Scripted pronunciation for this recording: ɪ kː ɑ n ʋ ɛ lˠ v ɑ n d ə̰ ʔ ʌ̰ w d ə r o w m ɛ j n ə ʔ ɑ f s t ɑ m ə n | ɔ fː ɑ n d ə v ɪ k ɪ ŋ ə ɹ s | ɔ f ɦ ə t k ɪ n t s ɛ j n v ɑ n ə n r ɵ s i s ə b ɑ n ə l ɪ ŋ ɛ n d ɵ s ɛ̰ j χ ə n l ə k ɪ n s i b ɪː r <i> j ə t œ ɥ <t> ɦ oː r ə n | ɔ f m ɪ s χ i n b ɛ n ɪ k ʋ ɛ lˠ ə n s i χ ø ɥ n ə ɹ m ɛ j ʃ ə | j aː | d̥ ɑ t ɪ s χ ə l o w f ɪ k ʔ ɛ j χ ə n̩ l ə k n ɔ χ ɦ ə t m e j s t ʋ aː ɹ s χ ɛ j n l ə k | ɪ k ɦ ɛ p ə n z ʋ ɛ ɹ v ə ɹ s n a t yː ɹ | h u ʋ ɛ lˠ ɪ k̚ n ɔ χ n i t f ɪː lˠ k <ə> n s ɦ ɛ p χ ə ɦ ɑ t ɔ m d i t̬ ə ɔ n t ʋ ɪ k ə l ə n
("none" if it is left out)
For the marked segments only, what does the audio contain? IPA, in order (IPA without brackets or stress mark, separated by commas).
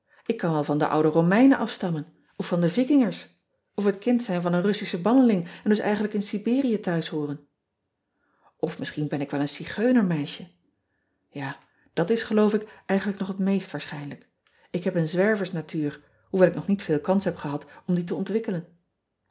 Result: i, s, ɑ